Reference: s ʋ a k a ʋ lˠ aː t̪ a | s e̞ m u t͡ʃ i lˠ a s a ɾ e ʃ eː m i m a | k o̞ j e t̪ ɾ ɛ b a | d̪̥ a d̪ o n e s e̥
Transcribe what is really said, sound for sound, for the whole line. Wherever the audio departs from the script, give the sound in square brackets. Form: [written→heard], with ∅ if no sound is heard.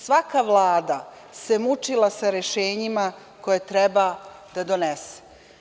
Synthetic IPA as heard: s ʋ a k a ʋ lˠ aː [t̪→d̪] a | s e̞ m u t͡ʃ i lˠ a s a ɾ e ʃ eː [m→ɲ] i m a | k o̞ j e t̪ ɾ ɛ b a | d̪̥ a d̪ o n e s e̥